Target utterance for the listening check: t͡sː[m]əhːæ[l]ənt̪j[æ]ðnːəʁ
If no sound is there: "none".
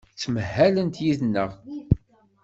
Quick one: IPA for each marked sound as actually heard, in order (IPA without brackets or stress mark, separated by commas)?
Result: m, l, i